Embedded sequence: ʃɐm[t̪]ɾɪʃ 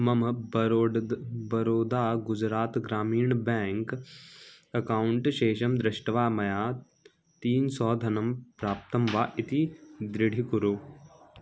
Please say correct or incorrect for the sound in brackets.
incorrect